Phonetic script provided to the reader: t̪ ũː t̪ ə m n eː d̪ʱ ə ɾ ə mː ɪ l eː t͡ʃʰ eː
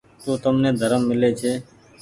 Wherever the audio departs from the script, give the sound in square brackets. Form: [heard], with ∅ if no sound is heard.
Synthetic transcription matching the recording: t̪ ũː t̪ ə m n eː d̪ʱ ə ɾ ə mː ɪ l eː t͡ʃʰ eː